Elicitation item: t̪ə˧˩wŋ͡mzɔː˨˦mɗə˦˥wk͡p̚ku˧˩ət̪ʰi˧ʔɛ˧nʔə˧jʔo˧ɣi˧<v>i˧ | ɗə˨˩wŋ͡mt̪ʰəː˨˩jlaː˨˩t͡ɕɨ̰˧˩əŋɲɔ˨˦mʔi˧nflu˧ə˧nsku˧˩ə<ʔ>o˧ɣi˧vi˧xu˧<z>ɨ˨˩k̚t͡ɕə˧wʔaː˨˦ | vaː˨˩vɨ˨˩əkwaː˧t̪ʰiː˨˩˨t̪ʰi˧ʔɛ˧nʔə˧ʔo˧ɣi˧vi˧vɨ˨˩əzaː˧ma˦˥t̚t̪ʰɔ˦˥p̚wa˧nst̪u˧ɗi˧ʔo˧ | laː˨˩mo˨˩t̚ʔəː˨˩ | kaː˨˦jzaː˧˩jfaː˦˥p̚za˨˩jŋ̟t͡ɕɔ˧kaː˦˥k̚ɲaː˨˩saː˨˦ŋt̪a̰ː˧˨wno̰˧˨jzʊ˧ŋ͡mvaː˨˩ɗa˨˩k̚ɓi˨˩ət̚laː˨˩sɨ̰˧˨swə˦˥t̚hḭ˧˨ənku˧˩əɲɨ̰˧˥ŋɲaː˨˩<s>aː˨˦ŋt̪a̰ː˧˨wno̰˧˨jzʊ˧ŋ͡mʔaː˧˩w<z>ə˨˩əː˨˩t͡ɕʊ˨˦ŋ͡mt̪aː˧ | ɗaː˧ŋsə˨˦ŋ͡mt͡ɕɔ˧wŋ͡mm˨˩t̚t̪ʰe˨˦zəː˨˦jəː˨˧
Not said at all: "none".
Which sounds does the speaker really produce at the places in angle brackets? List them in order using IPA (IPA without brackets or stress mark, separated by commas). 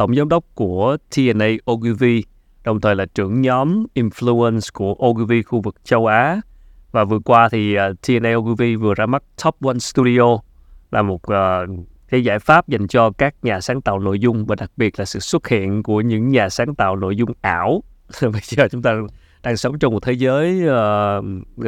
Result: v, ʔ, v, s, v